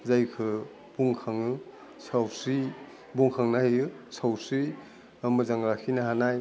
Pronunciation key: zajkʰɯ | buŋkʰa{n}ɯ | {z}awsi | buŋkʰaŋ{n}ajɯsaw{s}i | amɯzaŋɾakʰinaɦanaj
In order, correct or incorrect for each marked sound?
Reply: incorrect: ŋ, incorrect: s, correct, correct

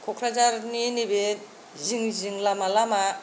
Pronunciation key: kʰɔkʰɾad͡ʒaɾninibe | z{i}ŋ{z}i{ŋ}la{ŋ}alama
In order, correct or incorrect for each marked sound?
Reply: correct, correct, correct, incorrect: m

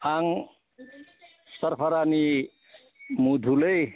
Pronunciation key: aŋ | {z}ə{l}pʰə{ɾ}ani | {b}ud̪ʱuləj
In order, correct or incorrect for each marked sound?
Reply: incorrect: s, incorrect: ɾ, correct, incorrect: m

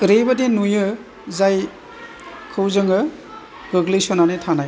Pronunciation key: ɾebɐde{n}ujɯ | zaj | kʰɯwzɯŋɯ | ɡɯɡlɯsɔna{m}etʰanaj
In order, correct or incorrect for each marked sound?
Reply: correct, incorrect: n

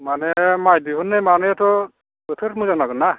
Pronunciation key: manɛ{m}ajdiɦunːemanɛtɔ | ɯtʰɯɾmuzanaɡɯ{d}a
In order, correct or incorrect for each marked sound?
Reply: correct, incorrect: n

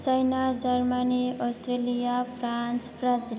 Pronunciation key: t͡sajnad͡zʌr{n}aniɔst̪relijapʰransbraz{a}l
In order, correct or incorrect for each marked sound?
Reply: incorrect: m, incorrect: i

